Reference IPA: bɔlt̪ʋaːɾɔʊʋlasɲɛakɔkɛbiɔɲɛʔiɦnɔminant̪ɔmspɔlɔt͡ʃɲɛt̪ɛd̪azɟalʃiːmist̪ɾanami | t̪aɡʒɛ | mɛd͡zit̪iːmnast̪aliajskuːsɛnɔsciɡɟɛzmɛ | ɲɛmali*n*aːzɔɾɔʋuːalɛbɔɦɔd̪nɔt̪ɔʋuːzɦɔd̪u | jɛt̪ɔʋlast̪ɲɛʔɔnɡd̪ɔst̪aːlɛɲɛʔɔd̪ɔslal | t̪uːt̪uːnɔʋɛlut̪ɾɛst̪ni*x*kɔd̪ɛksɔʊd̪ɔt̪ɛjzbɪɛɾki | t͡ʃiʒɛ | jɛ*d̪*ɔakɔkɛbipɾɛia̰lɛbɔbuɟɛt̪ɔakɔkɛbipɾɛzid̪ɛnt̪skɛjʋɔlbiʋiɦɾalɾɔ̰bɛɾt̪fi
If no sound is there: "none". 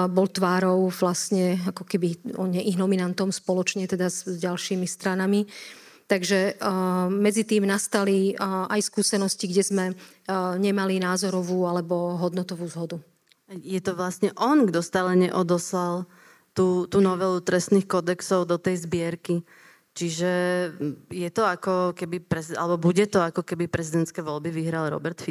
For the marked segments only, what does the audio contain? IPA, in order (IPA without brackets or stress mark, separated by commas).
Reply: n, x, t̪